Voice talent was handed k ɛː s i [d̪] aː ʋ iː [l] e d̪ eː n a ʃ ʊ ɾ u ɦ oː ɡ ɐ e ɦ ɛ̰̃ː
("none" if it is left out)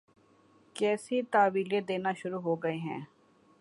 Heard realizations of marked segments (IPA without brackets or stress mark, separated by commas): t̪, l